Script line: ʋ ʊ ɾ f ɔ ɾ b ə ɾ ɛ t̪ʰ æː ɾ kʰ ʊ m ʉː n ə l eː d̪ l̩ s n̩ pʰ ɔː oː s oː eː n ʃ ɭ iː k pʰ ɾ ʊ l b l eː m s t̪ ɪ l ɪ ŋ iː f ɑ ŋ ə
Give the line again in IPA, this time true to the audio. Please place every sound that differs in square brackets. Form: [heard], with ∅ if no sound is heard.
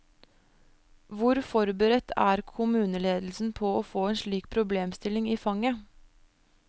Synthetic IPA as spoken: ʋ ʊ ɾ f ɔ ɾ b ə ɾ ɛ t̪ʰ æː ɾ kʰ ʊ m ʉː n ə l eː d̪ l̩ s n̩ pʰ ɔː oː [f] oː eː n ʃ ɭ iː k pʰ ɾ ʊ [∅] b l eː m s t̪ ɪ l ɪ ŋ iː f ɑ ŋ ə